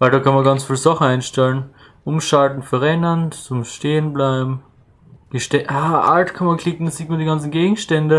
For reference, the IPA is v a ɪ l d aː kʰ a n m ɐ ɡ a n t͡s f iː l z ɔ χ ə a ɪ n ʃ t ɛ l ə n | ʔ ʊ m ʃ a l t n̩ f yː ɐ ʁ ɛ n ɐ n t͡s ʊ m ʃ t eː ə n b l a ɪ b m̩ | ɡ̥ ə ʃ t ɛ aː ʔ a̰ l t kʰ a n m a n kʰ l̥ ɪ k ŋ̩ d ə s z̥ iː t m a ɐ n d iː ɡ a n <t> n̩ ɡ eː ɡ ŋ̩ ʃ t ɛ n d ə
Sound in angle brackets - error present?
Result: yes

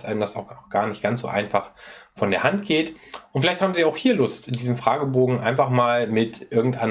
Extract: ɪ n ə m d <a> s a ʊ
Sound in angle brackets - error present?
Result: no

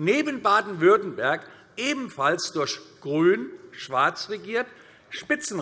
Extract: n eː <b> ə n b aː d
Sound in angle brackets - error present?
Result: no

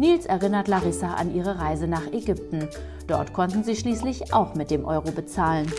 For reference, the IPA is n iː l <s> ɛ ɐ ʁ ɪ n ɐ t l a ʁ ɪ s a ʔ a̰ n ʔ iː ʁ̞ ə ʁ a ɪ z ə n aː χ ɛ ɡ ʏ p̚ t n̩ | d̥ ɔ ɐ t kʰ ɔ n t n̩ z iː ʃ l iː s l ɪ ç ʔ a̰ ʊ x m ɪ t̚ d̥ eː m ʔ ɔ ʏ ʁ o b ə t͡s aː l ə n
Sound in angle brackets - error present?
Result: no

